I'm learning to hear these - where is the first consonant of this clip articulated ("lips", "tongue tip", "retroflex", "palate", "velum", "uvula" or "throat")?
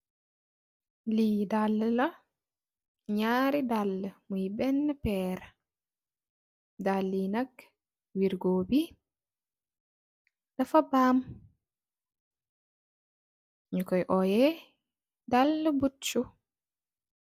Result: tongue tip